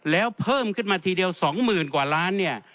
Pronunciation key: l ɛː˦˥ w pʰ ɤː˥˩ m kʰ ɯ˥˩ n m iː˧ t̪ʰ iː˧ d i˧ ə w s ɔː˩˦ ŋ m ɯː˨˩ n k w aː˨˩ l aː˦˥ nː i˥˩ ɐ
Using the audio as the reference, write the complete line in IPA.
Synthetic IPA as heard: l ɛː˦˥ w pʰ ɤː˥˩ m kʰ ɯ˥˩ n m aː˧ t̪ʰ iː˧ d i˧ ə w s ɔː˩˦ ŋ m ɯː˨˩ n k w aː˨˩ l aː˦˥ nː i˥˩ ɐ